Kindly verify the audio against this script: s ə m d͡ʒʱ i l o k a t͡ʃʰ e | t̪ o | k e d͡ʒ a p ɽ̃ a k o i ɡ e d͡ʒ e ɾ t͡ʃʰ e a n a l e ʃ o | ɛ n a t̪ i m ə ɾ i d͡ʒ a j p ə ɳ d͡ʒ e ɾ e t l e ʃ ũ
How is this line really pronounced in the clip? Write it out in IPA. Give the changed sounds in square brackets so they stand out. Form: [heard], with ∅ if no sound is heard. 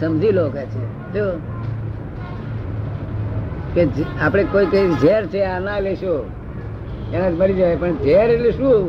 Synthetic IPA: s ə m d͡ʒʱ i l o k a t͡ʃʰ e | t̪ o | k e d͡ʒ a p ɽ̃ [e] k o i [k] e d͡ʒ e ɾ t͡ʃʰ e a n a l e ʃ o | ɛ n a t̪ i m ə ɾ i d͡ʒ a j p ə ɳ d͡ʒ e ɾ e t l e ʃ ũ